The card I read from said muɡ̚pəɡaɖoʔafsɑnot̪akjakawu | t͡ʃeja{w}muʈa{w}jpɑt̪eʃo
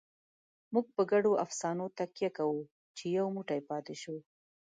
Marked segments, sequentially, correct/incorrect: correct, incorrect: none

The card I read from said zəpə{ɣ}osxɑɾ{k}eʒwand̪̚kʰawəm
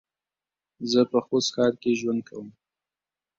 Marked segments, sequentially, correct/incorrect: incorrect: x, correct

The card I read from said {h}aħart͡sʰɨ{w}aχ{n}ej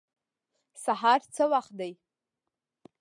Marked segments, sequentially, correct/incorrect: incorrect: s, correct, incorrect: d

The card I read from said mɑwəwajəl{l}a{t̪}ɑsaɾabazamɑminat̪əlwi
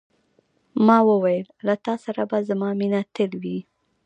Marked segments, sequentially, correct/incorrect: correct, correct

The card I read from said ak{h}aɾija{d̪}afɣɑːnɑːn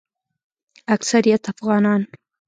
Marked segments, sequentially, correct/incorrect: incorrect: s, incorrect: t̪

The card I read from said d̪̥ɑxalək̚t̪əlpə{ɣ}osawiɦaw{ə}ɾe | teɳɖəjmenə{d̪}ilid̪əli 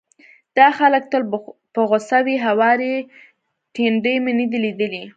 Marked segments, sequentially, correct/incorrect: correct, incorrect: ɑ, correct

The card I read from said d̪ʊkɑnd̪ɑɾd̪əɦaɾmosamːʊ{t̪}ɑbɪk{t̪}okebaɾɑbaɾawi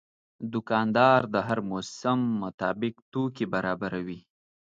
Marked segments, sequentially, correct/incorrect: correct, correct

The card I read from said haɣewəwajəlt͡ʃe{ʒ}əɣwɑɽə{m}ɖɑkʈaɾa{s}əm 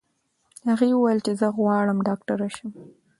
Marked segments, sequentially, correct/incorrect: incorrect: z, correct, incorrect: ʃ

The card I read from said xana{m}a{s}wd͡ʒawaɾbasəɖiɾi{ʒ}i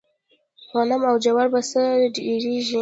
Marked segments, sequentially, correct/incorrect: correct, incorrect: none, correct

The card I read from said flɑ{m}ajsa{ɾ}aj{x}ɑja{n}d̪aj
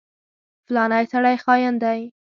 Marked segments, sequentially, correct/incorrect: incorrect: n, incorrect: ɽ, correct, correct

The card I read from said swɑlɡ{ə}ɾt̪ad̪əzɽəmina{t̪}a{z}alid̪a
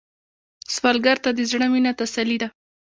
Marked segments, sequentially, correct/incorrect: incorrect: a, correct, incorrect: s

